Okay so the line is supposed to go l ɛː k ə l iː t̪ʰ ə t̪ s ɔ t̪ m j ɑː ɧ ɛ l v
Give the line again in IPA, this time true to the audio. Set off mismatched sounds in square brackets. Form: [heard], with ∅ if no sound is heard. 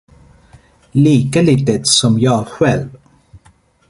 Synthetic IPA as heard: l [iː] k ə l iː [t̪] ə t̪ s ɔ [∅] m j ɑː ɧ ɛ l v